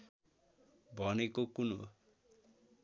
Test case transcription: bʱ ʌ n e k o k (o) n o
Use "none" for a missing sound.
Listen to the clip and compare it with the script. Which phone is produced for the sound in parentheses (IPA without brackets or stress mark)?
u